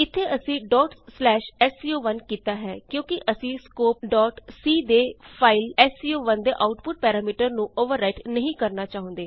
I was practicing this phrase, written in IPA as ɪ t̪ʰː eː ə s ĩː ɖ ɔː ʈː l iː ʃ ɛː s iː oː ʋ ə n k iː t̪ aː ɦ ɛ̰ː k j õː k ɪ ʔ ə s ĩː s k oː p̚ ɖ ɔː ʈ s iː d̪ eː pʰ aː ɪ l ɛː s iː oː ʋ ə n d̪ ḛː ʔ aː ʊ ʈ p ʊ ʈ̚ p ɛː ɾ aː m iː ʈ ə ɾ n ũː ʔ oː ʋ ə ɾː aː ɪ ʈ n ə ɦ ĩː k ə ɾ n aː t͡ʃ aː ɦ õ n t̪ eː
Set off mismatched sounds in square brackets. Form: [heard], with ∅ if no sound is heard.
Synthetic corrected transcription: ɪ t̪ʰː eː ə s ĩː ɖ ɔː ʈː l [ɛː] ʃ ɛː s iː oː ʋ ə n k iː t̪ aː ɦ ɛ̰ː k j õː k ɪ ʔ ə s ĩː s k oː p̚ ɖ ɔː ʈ s iː d̪ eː pʰ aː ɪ l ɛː s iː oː ʋ ə n d̪ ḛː ʔ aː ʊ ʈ p ʊ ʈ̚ p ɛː ɾ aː m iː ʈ ə ɾ n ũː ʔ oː ʋ ə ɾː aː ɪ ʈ n ə ɦ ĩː k ə ɾ n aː t͡ʃ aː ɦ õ n [d̪] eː